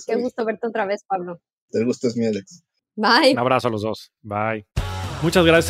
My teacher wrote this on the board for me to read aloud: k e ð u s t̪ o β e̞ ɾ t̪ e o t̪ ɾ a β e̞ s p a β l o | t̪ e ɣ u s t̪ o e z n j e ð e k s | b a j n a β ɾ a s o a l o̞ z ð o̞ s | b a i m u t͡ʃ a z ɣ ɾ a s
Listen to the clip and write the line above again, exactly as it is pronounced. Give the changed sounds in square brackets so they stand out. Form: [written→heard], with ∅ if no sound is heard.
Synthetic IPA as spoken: k e [ð→ɣ] u s t̪ o β e̞ ɾ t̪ e o t̪ ɾ a β e̞ s p a β l o | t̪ e ɣ u s t̪ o e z [n→m] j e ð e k s | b a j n a β ɾ a s o a l o̞ z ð o̞ s | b a [i→j] m u t͡ʃ a z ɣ ɾ a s